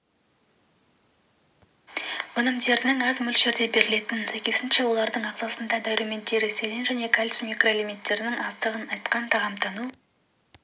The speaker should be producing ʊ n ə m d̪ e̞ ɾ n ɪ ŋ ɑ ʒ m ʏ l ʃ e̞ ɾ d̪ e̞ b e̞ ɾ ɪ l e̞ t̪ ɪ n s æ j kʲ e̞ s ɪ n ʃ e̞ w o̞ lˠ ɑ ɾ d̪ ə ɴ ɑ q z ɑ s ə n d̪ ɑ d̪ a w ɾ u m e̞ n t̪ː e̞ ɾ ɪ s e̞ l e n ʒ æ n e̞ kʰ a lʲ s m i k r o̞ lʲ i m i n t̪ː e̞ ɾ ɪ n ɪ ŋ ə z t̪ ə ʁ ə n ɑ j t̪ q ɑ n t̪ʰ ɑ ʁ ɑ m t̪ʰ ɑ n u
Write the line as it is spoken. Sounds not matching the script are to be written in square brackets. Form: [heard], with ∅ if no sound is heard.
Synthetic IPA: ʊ n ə m d̪ e̞ ɾ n ɪ ŋ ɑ [z] m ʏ l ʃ e̞ ɾ d̪ e̞ b e̞ ɾ ɪ l e̞ t̪ ɪ n s æ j kʲ e̞ s ɪ n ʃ e̞ w o̞ lˠ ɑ ɾ d̪ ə ɴ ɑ q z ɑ s ə n d̪ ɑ d̪ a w ɾ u m e̞ n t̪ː e̞ ɾ ɪ s e̞ l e n ʒ æ n e̞ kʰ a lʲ s m i k r o̞ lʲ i m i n t̪ː e̞ ɾ ɪ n ɪ ŋ [ɑ] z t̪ ə ʁ ə n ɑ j t̪ q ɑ n t̪ʰ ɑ ʁ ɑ m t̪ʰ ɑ n u